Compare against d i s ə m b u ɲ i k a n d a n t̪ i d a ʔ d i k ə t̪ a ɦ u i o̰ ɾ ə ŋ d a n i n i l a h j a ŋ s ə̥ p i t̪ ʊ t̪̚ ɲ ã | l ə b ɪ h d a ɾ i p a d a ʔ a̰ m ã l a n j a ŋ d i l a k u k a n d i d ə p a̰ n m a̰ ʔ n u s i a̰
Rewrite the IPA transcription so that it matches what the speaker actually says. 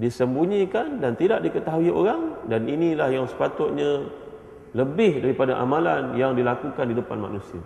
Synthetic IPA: d i s ə m b u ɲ i k a n d a n t̪ i d a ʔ d i k ə t̪ a ɦ u i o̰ ɾ a ŋ d a n i n i l a h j a ŋ s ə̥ p a t̪ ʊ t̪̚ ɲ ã | l ə b ɪ h d a ɾ i p a d a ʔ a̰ m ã l a n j a ŋ d i l a k u k a n d i d ə p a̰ n m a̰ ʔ n u s i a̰